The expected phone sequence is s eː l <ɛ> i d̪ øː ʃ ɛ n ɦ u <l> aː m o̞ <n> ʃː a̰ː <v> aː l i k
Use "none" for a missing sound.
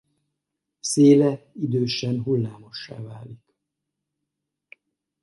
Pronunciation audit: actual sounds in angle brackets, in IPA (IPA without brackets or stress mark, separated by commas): ɛ, lː, none, v